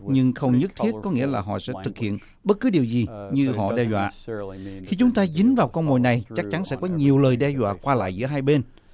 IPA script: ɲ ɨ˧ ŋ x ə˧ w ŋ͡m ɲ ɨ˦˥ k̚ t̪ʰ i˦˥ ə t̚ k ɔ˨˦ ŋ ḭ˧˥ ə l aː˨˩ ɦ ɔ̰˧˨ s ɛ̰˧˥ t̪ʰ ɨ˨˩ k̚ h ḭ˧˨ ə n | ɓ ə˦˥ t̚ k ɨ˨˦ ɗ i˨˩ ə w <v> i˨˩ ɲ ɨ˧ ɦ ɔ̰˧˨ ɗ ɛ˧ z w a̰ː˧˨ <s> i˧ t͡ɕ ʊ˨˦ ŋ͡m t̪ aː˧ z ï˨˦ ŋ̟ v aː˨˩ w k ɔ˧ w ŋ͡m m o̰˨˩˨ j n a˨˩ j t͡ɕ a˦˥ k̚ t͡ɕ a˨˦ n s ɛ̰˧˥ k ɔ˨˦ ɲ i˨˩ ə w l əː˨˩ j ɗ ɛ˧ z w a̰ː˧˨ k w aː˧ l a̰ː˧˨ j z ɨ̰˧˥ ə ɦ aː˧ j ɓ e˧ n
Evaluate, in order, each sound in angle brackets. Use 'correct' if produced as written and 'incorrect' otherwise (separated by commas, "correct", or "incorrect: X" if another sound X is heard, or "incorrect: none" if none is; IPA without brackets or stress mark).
incorrect: z, incorrect: x